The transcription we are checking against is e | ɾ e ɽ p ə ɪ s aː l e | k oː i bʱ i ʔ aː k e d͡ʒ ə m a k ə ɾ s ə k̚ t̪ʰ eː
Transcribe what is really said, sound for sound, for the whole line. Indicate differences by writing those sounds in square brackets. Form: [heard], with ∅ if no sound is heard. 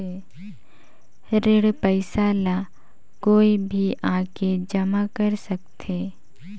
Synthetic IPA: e | ɾ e ɽ p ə ɪ s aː l [a] | k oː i bʱ i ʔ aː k e d͡ʒ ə m a k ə ɾ s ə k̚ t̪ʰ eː